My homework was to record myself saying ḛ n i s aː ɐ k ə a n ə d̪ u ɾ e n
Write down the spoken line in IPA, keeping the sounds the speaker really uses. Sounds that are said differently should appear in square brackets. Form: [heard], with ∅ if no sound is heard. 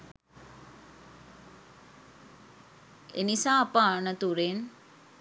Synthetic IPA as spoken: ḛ n i s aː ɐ [p] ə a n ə [t̪] u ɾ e n